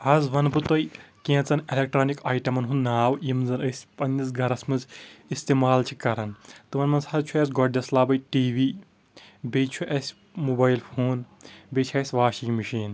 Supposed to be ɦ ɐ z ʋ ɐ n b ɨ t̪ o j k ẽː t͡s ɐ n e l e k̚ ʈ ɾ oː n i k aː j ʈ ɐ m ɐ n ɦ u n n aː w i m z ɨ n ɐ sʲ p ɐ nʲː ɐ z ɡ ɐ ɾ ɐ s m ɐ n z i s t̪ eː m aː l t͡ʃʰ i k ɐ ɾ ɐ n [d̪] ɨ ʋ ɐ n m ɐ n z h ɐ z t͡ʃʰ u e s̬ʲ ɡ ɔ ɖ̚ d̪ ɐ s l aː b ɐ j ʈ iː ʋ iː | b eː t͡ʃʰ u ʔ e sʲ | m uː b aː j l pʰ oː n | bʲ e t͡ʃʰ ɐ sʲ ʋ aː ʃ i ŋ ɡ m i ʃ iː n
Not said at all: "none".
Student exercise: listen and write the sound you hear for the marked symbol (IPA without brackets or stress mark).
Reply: t̪